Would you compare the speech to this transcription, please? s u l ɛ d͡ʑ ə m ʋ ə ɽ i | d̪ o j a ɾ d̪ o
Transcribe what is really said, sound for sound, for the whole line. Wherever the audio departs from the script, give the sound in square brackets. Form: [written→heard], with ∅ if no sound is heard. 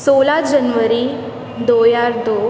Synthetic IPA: s [u→o] l [ɛ→a] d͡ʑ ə [m→n] ʋ ə [ɽ→ɾ] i | d̪ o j a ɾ d̪ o